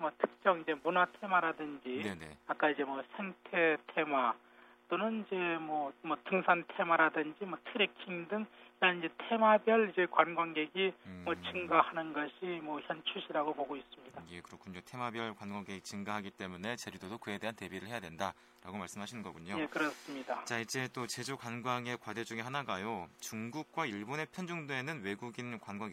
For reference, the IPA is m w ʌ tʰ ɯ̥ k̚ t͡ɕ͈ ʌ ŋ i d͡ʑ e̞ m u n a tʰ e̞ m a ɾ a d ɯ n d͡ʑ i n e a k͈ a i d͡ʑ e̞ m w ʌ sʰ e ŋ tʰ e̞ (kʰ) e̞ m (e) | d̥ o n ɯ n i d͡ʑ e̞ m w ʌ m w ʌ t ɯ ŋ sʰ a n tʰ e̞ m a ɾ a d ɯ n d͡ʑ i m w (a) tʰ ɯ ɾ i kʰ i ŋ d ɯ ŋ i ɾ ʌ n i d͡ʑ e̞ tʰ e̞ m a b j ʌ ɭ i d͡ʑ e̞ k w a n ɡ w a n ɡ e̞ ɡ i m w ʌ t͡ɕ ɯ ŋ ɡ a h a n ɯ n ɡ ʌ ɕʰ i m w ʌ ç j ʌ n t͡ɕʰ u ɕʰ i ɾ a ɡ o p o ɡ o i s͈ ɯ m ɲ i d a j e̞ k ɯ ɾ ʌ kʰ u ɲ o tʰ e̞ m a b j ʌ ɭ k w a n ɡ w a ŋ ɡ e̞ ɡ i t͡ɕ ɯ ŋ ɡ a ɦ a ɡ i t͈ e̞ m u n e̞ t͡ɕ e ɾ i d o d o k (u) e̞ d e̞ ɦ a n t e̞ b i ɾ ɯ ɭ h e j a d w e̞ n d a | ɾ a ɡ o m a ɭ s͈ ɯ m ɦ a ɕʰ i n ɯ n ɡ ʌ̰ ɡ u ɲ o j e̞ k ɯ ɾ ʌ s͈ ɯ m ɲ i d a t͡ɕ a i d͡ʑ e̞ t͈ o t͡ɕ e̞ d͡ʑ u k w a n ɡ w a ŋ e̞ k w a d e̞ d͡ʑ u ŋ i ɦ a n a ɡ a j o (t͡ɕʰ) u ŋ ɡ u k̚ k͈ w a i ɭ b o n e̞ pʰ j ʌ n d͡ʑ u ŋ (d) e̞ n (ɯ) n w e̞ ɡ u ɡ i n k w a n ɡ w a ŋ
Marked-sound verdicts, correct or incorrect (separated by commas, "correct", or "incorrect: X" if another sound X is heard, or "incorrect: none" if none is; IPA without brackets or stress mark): incorrect: tʰ, incorrect: a, incorrect: ʌ, incorrect: ɯ, incorrect: t͡ɕ, correct, correct